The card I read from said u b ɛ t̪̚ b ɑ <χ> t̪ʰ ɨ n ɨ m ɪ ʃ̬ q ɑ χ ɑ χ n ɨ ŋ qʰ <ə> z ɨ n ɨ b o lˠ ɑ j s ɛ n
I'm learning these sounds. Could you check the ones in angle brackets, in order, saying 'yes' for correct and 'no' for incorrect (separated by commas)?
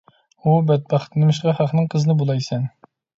yes, yes